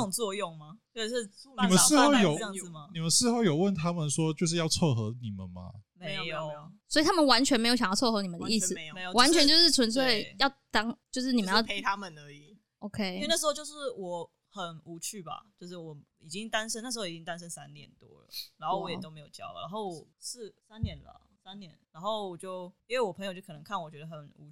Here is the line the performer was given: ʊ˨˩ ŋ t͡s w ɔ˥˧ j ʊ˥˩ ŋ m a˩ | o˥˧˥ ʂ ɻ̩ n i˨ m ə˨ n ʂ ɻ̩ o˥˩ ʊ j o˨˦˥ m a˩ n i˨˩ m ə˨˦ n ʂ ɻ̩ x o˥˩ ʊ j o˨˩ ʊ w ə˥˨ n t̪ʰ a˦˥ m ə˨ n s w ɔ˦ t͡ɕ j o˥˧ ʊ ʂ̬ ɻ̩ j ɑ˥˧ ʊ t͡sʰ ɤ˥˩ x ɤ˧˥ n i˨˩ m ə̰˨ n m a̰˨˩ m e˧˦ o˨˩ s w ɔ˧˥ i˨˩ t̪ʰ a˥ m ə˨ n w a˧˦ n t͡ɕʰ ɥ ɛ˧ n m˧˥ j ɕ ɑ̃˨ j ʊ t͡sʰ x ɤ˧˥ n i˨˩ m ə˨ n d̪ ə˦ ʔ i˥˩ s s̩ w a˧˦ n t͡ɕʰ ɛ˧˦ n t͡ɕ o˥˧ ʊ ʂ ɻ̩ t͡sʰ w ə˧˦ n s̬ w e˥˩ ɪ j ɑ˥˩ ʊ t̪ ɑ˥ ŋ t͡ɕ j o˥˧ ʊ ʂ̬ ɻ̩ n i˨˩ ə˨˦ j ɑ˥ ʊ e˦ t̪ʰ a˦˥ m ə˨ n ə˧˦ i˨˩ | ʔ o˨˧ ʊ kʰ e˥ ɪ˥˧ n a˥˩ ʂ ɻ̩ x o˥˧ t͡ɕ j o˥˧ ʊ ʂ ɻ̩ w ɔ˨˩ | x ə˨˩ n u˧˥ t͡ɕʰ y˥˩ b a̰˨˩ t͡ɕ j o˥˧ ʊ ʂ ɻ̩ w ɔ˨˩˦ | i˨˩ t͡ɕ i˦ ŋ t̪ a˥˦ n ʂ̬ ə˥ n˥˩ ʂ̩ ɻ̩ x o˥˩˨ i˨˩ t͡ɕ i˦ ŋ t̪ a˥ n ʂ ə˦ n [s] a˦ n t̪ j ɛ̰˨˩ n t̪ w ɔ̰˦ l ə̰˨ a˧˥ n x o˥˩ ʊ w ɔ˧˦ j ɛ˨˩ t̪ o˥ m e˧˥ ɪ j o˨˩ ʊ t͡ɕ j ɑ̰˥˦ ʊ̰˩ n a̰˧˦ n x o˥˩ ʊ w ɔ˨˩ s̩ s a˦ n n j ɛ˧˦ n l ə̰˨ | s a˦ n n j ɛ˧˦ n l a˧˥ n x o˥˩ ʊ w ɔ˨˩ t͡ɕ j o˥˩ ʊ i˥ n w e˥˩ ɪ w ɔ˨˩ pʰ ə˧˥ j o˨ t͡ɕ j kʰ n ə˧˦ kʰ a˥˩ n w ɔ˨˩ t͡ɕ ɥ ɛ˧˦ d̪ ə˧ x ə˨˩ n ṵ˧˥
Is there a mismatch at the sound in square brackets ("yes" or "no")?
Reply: no